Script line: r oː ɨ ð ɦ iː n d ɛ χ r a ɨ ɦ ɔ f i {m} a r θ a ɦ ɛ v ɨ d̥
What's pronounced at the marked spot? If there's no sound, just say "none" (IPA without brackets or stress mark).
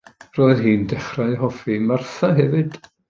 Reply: m